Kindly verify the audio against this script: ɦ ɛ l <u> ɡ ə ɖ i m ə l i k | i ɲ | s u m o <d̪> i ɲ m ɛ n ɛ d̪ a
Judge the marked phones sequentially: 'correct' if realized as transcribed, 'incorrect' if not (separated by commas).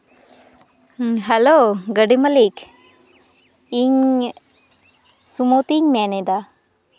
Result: incorrect, incorrect